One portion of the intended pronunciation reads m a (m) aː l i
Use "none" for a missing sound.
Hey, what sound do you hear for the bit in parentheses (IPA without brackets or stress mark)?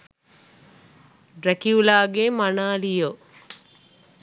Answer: n